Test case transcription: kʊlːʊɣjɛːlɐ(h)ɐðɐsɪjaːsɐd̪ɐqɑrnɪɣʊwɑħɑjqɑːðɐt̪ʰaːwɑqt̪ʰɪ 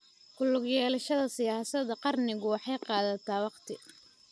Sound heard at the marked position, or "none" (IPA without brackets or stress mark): ʃ